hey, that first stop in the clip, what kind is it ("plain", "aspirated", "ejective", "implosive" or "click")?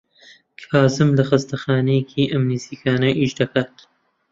aspirated